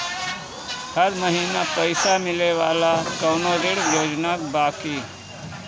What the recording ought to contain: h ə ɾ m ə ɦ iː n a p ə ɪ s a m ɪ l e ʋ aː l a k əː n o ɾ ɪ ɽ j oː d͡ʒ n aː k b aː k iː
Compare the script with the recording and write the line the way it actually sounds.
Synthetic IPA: h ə ɾ m ə ɦ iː n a p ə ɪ s a m ɪ l e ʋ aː l a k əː n o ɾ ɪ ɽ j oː d͡ʒ n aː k b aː k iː